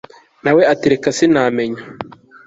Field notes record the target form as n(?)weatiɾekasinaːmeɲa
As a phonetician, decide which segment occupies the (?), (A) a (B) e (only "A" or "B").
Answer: A